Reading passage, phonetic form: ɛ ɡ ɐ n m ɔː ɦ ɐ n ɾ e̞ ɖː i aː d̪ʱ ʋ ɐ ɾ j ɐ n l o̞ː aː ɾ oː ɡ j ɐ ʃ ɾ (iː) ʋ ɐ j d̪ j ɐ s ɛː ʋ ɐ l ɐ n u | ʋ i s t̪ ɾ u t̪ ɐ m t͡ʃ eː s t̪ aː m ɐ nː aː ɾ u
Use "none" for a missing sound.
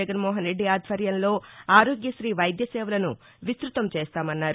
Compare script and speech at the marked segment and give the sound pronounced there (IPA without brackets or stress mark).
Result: iː